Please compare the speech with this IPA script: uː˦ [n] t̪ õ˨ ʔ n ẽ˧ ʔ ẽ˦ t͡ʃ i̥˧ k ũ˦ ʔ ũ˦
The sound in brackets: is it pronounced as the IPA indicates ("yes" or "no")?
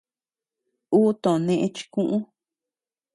no